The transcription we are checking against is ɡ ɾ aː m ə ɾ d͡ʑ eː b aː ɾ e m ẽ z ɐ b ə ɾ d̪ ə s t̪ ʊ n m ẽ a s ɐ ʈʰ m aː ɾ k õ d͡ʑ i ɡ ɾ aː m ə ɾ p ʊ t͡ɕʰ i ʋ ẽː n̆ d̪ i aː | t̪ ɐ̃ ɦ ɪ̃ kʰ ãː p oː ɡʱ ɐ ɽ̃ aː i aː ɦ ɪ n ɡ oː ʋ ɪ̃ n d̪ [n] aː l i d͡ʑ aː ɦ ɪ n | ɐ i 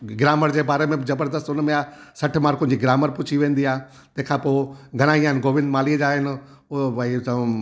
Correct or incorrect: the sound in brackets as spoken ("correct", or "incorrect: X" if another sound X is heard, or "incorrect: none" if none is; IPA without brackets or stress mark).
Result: incorrect: m